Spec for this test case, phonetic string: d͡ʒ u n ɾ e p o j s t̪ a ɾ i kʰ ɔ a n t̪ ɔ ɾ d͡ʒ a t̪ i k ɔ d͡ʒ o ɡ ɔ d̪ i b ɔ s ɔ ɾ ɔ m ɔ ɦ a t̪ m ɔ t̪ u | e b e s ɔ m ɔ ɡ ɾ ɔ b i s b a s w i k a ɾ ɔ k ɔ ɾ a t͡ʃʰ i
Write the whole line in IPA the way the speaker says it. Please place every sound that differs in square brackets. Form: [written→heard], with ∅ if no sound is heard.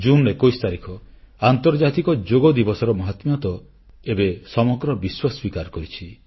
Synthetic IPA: d͡ʒ u n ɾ e [p→k] o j s t̪ a ɾ i kʰ ɔ a n t̪ ɔ ɾ d͡ʒ a t̪ i k ɔ d͡ʒ o ɡ ɔ d̪ i b ɔ s ɔ ɾ ɔ m ɔ ɦ a t̪ m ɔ t̪ [u→ɔ] | e b e s ɔ m ɔ ɡ ɾ ɔ b i s [b→w] a s w i k a ɾ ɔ k ɔ ɾ [a→i] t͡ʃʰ i